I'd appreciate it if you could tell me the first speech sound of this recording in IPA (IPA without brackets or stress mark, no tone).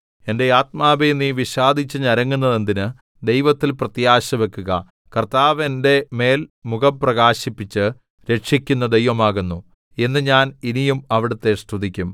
e̞